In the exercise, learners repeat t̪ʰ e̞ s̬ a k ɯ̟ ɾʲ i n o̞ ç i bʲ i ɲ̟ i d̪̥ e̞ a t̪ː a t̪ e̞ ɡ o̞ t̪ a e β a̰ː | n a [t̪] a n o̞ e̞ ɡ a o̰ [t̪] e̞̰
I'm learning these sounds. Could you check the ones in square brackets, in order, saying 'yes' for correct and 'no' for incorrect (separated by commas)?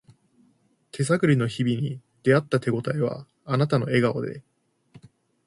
yes, no